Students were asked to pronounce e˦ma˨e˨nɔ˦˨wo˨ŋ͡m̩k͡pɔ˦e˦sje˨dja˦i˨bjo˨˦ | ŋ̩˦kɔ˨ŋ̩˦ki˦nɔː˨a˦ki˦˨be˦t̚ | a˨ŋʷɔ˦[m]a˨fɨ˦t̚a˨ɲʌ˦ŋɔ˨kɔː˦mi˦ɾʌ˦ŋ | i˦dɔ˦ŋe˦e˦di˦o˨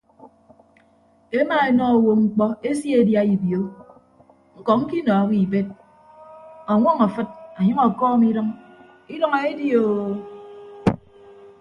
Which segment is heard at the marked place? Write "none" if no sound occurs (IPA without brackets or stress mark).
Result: ŋ